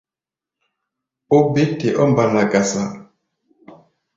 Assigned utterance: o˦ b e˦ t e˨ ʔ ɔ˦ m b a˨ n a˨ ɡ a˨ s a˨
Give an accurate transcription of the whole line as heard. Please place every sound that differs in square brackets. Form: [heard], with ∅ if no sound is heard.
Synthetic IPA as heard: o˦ b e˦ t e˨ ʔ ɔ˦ m b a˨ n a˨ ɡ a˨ s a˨